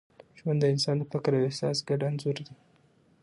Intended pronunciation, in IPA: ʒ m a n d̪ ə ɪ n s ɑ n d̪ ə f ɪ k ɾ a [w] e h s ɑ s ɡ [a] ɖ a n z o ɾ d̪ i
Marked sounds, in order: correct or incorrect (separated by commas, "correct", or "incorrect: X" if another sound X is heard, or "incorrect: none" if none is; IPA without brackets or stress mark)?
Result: correct, correct